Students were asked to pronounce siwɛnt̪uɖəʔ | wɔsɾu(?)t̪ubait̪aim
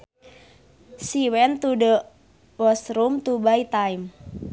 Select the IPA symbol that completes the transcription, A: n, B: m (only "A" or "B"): B